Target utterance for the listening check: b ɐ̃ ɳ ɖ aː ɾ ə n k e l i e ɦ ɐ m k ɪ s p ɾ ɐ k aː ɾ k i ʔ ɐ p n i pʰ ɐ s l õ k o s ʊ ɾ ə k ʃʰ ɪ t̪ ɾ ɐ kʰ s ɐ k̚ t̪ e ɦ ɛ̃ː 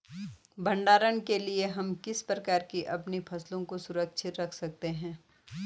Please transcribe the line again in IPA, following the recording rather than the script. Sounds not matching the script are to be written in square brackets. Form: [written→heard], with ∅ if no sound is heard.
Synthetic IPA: b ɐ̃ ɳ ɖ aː ɾ ə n k e l i e ɦ ɐ m k ɪ s p ɾ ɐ k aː ɾ k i ʔ ɐ p n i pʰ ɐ s l õ k o s ʊ ɾ ə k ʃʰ ɪ t̪ ɾ ɐ kʰ s ɐ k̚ t̪ e ɦ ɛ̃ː